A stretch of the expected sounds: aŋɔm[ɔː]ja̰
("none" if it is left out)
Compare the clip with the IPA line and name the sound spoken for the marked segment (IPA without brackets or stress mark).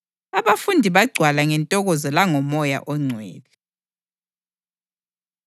ɔ